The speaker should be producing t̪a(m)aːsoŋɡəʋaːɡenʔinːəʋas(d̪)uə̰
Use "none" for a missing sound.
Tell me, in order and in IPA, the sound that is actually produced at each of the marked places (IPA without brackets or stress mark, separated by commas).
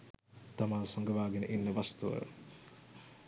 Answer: m, t̪